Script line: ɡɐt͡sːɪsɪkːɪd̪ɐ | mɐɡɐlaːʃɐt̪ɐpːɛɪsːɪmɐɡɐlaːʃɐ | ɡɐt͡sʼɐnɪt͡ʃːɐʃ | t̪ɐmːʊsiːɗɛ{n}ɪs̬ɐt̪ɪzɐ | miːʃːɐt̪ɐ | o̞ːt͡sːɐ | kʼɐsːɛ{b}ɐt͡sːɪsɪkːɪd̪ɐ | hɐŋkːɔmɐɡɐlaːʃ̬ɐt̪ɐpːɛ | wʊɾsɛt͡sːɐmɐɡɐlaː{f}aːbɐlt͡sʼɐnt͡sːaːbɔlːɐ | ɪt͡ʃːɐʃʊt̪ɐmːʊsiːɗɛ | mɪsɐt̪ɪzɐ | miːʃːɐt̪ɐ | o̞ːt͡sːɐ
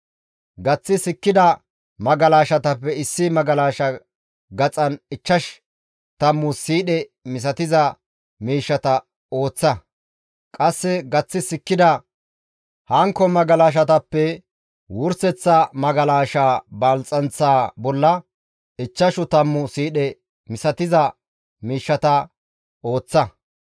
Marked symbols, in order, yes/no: no, no, no

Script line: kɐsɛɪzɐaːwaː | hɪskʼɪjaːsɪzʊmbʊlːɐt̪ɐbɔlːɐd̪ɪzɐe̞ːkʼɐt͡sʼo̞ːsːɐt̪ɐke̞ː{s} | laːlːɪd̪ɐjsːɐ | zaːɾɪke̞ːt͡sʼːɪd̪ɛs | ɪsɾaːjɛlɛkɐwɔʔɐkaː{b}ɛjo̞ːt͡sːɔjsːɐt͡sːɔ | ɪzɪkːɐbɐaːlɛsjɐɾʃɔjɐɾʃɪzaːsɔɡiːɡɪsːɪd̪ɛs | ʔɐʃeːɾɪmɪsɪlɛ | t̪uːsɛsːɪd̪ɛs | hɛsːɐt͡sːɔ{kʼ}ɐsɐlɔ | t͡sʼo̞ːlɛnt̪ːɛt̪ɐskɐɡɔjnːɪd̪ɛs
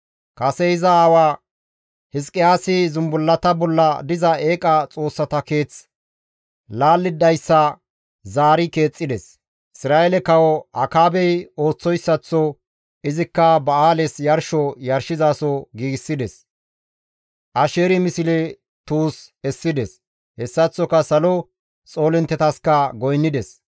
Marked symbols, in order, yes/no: no, yes, no

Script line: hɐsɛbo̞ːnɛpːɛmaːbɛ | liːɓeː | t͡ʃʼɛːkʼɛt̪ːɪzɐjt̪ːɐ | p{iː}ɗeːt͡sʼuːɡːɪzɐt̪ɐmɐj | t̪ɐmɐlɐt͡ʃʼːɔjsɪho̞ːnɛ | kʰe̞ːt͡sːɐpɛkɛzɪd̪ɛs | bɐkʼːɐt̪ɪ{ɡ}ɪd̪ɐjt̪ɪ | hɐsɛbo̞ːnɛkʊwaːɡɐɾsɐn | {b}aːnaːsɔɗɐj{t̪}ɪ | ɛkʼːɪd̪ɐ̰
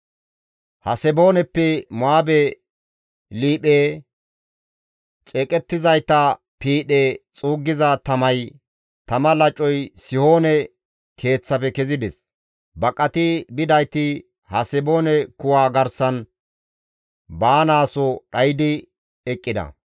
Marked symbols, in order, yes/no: yes, no, yes, no

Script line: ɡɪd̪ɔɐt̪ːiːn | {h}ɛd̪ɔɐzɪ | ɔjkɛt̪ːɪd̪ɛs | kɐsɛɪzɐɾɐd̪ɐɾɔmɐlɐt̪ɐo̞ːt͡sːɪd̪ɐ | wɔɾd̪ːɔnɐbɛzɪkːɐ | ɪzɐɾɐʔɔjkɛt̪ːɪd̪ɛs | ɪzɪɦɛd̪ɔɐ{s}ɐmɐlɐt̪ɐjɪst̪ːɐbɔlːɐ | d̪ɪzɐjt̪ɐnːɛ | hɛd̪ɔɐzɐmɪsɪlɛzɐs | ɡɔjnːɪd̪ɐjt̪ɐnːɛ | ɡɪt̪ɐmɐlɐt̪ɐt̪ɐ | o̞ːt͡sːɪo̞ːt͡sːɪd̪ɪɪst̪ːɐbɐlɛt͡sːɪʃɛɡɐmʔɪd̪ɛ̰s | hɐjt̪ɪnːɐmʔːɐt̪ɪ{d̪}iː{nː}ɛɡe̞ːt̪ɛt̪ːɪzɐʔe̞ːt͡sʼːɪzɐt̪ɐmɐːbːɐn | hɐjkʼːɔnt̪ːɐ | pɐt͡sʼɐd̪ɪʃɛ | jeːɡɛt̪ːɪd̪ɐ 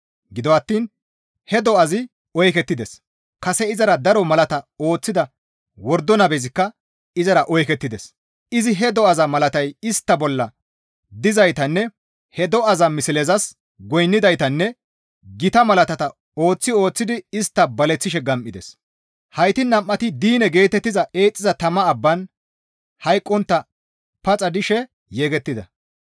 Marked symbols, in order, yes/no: yes, no, yes, no

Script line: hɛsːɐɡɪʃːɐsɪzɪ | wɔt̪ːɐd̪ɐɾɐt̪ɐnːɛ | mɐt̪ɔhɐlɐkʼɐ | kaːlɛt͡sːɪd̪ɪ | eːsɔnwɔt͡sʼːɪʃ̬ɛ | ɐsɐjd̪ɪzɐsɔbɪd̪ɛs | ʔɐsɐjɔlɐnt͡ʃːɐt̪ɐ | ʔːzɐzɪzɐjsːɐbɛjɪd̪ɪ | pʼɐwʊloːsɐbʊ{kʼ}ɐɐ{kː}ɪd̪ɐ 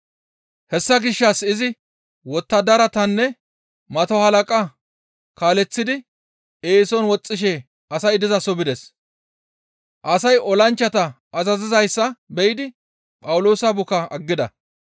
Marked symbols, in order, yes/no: no, no

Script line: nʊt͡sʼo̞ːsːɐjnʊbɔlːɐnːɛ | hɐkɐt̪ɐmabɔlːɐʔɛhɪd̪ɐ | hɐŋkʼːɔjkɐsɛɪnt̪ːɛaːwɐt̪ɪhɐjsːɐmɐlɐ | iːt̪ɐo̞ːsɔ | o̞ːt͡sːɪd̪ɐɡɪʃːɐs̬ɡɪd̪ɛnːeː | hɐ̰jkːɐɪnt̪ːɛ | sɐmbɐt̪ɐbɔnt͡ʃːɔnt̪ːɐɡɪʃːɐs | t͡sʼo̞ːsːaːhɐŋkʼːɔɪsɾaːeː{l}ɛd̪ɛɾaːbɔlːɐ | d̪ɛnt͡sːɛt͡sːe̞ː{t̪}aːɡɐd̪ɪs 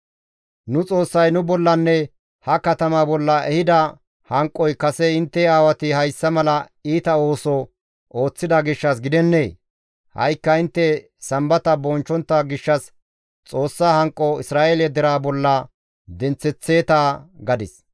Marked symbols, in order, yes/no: yes, yes

